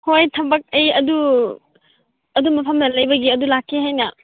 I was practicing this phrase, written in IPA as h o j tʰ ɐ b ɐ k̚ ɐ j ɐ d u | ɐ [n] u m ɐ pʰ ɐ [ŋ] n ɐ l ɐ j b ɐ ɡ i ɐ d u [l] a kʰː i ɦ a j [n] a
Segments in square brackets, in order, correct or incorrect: incorrect: d, incorrect: m, correct, correct

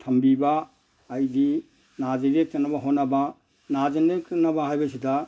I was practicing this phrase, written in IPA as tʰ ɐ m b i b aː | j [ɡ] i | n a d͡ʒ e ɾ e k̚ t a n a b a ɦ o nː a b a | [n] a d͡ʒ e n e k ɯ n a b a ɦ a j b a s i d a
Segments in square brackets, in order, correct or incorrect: incorrect: d, correct

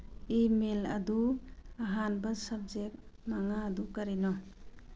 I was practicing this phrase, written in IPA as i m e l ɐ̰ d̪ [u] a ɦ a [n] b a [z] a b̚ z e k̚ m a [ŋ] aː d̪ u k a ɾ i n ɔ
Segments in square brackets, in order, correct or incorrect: correct, correct, incorrect: s, correct

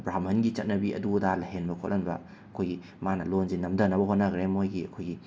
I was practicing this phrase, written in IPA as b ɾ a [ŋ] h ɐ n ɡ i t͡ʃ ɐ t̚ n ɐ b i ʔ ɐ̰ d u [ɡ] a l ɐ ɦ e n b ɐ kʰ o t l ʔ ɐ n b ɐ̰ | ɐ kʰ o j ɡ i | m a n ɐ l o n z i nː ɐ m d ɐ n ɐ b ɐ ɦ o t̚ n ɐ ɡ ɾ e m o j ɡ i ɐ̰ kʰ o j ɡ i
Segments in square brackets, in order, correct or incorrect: incorrect: m, incorrect: d

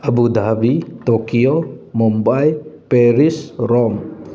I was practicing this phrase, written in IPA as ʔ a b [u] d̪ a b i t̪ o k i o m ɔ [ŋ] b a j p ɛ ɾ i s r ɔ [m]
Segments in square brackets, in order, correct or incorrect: correct, incorrect: m, correct

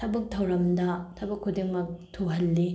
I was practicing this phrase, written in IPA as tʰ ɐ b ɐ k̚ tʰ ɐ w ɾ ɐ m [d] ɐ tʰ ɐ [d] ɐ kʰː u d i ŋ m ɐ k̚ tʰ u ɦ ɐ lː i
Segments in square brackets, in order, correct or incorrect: correct, incorrect: b

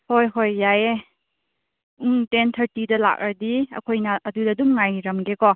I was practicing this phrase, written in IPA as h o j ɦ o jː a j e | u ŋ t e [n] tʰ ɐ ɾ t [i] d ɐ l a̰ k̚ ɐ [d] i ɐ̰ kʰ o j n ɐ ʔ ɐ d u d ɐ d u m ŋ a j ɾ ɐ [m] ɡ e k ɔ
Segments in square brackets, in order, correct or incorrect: correct, correct, correct, correct

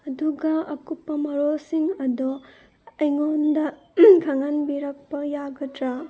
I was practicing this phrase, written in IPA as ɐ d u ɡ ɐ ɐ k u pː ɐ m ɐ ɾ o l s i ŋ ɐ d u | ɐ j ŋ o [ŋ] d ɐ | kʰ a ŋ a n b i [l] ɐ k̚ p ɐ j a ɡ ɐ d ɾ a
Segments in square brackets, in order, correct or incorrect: incorrect: n, incorrect: ɾ

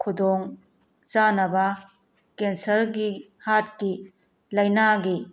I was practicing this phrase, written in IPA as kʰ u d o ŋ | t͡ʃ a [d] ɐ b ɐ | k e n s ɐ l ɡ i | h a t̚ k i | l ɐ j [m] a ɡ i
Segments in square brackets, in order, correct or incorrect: incorrect: n, incorrect: n

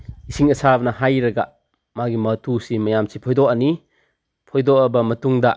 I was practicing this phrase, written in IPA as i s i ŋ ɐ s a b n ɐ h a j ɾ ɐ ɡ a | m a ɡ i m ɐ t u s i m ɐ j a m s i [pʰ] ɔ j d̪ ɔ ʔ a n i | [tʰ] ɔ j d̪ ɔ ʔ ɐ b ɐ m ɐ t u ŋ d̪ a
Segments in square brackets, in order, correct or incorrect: correct, incorrect: pʰ

